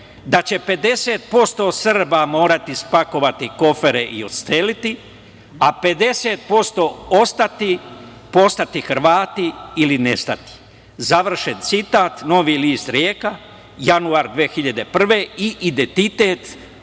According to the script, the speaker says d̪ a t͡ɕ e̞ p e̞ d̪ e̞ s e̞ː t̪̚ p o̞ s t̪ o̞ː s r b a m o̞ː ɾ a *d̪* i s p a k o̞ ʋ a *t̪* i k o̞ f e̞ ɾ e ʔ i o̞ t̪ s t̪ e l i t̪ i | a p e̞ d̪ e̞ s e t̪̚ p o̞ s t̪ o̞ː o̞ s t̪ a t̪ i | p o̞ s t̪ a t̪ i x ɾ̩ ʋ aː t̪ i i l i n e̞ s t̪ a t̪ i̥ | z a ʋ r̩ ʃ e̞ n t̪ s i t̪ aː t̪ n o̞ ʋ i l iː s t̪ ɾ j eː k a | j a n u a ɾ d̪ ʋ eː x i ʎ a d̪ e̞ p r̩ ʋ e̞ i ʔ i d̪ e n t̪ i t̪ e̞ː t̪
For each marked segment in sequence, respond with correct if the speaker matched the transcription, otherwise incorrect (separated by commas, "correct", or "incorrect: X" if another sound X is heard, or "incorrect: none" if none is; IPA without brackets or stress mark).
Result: incorrect: t̪, correct